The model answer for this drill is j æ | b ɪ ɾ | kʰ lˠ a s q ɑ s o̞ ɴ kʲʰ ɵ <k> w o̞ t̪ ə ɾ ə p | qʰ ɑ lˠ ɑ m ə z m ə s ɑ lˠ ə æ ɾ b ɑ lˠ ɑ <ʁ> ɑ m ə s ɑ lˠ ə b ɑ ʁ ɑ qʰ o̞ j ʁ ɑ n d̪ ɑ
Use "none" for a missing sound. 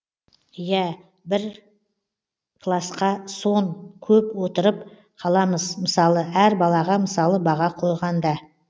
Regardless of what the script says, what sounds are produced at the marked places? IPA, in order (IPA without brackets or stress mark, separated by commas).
p, ʁ